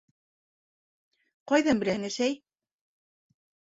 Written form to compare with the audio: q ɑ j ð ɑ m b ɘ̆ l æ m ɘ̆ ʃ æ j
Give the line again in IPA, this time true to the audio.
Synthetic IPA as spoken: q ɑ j ð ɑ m b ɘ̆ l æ ŋ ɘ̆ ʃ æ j